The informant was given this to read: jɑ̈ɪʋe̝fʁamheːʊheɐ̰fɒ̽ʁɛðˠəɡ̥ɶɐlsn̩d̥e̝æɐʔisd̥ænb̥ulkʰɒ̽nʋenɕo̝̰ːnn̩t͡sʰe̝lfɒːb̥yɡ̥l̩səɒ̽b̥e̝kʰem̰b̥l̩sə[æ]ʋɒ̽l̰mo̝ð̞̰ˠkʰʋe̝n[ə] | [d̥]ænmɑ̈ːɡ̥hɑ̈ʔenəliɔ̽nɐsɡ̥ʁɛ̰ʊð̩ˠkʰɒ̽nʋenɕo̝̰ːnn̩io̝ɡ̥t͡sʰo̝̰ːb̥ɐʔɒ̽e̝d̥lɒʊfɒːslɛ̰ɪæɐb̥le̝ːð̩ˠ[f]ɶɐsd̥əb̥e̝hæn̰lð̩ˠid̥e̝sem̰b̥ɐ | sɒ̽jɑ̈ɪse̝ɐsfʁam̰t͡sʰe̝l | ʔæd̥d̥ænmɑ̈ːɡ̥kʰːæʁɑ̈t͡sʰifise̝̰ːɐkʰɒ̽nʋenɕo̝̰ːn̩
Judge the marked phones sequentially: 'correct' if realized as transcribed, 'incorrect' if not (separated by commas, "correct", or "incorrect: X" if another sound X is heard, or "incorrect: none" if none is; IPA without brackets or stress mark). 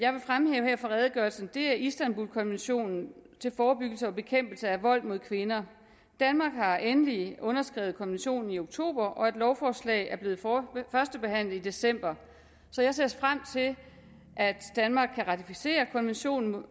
correct, incorrect: ɐ, correct, correct